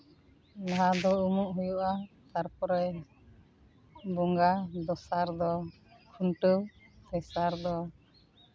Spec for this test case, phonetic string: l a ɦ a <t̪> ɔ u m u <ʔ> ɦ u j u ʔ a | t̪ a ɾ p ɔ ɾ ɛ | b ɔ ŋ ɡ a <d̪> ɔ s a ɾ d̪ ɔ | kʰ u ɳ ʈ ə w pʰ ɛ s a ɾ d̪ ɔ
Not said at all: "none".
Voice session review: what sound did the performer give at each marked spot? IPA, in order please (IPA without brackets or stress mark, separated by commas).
d̪, ʔ, d̪